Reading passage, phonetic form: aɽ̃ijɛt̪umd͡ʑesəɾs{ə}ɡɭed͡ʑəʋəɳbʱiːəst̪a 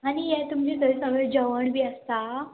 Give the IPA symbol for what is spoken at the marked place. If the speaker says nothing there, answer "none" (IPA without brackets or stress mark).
ə